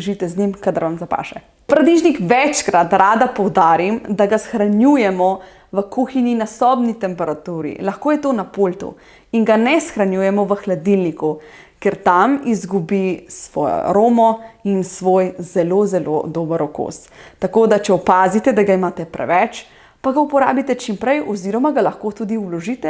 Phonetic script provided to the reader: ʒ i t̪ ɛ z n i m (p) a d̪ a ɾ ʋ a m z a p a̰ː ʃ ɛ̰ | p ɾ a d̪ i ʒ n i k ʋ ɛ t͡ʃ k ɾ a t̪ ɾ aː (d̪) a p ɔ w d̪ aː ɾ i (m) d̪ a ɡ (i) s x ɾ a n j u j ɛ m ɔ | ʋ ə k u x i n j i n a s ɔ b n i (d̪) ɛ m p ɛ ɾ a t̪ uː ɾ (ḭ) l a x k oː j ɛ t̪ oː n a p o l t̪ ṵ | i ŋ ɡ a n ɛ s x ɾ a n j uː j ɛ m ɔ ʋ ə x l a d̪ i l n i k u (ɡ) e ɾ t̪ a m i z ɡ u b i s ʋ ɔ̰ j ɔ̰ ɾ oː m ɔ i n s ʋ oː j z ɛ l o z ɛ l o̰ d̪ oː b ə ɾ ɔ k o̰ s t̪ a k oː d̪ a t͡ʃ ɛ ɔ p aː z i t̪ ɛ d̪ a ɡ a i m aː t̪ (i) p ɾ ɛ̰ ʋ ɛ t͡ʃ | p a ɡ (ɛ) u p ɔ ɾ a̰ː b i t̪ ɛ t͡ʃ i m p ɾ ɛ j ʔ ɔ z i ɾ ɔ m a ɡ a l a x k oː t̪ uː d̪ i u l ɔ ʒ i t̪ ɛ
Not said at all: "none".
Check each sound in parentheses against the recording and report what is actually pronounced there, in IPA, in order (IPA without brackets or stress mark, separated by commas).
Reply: k, d̪, m, a, t̪, ḭ, k, ɛ, a